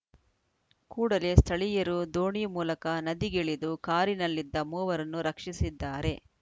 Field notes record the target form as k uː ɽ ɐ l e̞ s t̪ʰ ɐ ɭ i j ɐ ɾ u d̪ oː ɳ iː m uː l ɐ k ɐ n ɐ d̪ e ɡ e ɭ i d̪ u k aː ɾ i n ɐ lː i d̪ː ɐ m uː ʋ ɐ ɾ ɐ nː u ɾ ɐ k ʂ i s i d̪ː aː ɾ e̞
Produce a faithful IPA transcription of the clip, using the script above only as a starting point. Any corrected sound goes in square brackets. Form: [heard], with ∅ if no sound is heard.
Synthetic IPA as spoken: k uː ɽ ɐ l e̞ s t̪ʰ ɐ ɭ i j ɐ ɾ u d̪ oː ɳ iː m uː l ɐ k ɐ n ɐ d̪ [i] ɡ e ɭ i d̪ u k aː ɾ i n ɐ lː i d̪ː ɐ m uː ʋ ɐ ɾ ɐ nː u ɾ ɐ k ʂ i s i d̪ː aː ɾ e̞

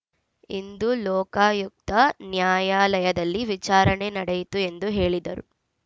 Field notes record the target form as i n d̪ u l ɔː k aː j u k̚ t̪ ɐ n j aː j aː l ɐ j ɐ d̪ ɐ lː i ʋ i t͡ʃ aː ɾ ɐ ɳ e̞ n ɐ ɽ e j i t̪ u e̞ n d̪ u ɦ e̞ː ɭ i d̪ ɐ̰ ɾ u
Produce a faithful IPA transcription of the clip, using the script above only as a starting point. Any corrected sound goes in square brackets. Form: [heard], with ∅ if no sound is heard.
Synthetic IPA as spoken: i n d̪ u l ɔː k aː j u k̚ t̪ ɐ n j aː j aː l ɐ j ɐ d̪ ɐ lː i ʋ i t͡ʃ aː ɾ ɐ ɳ e̞ n ɐ ɽ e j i t̪ u e̞ n d̪ u ɦ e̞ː ɭ i d̪ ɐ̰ ɾ u

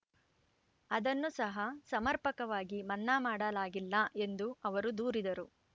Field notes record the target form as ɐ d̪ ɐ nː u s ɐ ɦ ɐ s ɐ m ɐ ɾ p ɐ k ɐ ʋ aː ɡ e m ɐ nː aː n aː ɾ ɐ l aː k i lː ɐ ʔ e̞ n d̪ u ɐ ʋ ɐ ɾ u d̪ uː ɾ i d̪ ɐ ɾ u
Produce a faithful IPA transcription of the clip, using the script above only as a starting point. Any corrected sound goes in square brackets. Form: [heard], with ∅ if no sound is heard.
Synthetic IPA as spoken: ɐ d̪ ɐ nː u s ɐ ɦ ɐ s ɐ m ɐ ɾ p ɐ k ɐ ʋ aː ɡ [i] m ɐ nː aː [m] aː [ɽ] ɐ l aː [ɡ] i lː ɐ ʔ e̞ n d̪ u ɐ ʋ ɐ ɾ u d̪ uː ɾ i d̪ ɐ ɾ u

